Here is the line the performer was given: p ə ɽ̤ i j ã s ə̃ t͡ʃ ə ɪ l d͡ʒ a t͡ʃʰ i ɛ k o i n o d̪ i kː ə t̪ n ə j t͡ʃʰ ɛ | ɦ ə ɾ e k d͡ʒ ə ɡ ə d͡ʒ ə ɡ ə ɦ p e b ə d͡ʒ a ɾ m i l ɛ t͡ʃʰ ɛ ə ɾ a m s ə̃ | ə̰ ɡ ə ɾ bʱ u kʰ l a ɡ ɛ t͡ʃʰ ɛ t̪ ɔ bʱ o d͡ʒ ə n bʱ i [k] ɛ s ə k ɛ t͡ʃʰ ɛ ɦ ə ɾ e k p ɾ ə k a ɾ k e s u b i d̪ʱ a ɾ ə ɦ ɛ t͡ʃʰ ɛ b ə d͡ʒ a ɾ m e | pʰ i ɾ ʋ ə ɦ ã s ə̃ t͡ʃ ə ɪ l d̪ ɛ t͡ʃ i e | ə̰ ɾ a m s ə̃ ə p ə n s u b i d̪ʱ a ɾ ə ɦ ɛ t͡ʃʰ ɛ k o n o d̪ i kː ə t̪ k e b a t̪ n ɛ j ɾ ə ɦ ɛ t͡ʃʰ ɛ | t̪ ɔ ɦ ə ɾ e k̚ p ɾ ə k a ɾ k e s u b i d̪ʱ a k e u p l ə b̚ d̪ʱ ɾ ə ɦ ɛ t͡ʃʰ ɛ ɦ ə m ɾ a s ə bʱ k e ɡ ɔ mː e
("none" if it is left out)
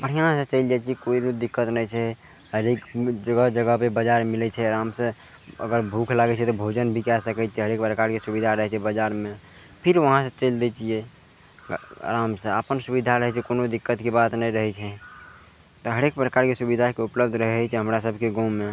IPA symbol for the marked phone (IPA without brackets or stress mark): k